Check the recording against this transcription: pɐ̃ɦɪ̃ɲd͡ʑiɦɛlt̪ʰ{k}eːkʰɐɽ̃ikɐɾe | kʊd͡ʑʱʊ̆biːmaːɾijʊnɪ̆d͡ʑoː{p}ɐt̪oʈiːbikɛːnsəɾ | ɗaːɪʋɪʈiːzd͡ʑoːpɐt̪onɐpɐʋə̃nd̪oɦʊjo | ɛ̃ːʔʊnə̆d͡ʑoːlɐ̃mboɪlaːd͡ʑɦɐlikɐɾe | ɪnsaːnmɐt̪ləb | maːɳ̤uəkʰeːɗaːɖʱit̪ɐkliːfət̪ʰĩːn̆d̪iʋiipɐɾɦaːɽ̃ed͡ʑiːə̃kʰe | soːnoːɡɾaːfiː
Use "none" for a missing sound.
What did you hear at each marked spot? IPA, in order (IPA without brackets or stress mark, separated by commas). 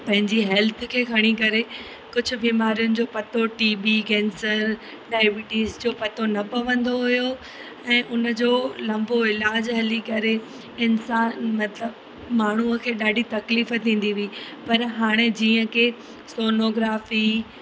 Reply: kʰ, p